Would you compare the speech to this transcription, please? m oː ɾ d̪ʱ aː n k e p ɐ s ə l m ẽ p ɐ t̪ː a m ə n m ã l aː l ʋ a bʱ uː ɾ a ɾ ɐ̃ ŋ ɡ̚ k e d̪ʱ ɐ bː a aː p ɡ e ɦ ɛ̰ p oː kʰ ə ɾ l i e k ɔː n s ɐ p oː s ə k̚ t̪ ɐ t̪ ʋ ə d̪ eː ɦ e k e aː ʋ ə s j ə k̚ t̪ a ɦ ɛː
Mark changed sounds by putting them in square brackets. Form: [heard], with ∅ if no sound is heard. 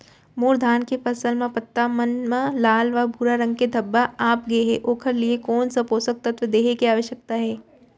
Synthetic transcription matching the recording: m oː ɾ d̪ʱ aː n k e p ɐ s ə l m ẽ p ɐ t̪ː a m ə n m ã l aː l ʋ a bʱ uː ɾ a ɾ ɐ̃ ŋ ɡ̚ k e d̪ʱ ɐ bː a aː p ɡ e ɦ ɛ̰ [ʔ] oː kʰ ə ɾ l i e k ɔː n s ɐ p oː s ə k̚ t̪ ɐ t̪ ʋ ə d̪ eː ɦ e k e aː ʋ ə [ʃ] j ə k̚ t̪ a ɦ ɛː